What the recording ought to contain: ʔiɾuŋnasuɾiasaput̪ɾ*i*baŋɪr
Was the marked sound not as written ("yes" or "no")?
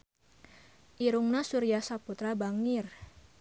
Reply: yes